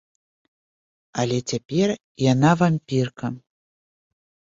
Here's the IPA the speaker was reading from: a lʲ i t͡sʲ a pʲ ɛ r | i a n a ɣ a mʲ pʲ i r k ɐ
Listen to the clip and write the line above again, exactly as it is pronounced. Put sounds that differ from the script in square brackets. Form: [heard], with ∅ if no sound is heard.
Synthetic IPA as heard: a lʲ [ɛ] t͡sʲ a pʲ ɛ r | [j] a n a [v] a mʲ pʲ i r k ɐ